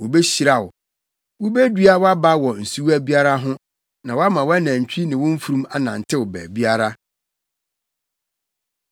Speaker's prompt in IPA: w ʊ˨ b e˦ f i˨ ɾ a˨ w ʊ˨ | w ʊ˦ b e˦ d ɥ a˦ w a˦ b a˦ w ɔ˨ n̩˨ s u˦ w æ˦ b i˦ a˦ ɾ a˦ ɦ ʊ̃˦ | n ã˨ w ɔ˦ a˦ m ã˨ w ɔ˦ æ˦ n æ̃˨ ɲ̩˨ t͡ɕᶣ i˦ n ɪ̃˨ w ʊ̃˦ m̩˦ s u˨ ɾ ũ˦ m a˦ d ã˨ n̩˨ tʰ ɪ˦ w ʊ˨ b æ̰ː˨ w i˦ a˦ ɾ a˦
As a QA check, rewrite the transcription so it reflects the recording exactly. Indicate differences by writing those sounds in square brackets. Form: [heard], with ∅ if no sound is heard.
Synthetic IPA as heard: w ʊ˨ b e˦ [ɕ] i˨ ɾ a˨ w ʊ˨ | w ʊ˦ b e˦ d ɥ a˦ w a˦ b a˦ w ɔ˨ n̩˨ s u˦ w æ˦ b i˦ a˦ ɾ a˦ ɦ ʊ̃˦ | n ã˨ w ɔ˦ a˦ m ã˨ w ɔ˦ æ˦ n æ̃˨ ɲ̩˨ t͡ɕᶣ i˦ n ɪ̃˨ w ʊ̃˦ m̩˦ [f] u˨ ɾ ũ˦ m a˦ [n] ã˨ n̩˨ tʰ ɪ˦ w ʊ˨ b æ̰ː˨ [b] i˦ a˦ ɾ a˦